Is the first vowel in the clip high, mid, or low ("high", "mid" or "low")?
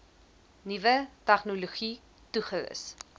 high